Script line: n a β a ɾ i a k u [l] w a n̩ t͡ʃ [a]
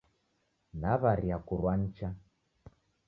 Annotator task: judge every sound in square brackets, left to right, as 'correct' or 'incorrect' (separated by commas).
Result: incorrect, correct